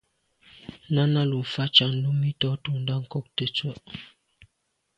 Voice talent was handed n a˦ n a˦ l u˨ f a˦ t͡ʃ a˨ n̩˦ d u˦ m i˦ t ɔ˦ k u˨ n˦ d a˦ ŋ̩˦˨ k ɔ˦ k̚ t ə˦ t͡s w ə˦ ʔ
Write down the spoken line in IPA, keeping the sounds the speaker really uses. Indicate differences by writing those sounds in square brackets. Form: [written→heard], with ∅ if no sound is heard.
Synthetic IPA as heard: n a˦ n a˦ l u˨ f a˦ t͡ʃ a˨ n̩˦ d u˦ m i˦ t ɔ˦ [k→t] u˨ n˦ d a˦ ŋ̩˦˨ k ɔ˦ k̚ t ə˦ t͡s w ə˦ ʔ